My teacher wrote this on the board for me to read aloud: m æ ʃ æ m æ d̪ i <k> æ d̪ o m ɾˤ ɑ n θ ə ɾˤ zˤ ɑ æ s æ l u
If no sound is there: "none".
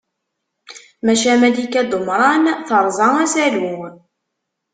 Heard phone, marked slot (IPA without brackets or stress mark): k